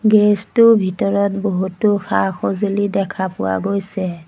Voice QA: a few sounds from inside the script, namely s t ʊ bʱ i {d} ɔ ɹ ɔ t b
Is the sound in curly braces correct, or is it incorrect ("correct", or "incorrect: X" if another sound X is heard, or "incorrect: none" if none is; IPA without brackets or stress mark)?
incorrect: t